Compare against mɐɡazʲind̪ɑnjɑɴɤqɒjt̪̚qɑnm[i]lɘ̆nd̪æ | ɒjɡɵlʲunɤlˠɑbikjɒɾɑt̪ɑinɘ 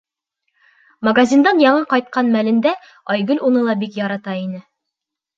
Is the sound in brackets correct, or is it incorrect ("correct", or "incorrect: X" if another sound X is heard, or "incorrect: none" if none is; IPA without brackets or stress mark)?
incorrect: æ